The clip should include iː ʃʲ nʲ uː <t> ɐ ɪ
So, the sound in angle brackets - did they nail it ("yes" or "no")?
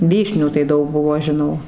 yes